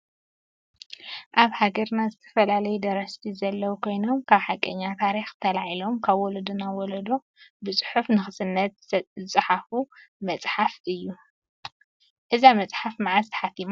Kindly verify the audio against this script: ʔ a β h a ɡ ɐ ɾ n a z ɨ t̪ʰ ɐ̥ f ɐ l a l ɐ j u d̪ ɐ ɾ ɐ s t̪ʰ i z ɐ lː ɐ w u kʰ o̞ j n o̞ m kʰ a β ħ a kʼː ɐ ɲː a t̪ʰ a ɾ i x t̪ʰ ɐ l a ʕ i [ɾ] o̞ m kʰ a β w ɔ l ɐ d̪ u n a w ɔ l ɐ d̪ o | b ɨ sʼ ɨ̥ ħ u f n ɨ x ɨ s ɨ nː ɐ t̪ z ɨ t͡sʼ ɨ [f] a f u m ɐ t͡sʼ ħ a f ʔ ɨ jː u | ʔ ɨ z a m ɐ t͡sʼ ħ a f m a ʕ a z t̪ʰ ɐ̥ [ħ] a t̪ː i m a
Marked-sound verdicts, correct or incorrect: incorrect, incorrect, correct

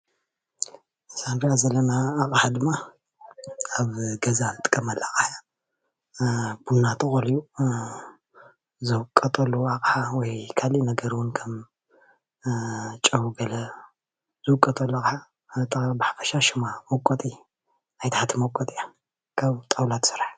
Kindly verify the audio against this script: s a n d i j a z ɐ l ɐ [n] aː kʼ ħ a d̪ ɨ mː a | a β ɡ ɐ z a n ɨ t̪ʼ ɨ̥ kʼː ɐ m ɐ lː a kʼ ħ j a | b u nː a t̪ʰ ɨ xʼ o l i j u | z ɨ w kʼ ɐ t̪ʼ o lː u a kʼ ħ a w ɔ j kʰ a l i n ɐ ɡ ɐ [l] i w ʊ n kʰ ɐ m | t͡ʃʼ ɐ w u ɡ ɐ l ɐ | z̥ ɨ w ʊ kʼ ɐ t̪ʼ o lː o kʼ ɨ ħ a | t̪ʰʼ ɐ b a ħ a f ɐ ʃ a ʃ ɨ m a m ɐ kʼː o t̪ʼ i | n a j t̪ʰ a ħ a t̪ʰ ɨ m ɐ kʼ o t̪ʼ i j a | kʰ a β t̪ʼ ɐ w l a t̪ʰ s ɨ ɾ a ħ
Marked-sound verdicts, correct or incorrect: correct, incorrect

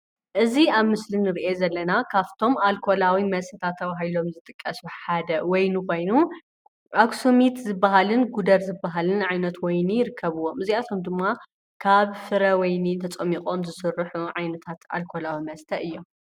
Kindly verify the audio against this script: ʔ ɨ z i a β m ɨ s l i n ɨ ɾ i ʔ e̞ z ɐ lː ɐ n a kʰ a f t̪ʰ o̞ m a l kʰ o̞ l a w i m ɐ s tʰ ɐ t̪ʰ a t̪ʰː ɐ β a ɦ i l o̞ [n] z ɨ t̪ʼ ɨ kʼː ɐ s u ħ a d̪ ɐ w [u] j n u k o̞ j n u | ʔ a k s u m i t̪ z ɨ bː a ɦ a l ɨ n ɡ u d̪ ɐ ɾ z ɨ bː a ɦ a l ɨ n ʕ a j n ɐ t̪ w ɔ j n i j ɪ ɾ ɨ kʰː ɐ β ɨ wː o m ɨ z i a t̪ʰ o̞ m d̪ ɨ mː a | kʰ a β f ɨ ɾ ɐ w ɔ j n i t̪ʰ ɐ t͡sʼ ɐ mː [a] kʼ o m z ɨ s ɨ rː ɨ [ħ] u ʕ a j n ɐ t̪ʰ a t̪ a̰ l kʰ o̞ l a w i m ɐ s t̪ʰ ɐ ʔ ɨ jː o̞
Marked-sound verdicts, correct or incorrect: incorrect, incorrect, incorrect, correct

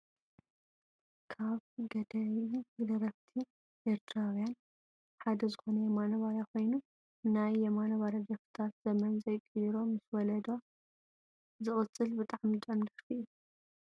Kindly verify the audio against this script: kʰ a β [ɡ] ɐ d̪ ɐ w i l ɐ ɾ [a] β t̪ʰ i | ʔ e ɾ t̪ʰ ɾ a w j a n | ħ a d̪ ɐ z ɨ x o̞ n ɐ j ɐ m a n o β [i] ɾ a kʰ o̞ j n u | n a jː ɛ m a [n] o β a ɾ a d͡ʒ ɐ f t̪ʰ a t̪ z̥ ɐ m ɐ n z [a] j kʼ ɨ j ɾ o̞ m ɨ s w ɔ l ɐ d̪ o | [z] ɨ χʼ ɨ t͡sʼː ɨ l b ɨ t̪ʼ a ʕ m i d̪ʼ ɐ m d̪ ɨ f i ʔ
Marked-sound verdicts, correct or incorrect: correct, incorrect, incorrect, correct, incorrect, correct

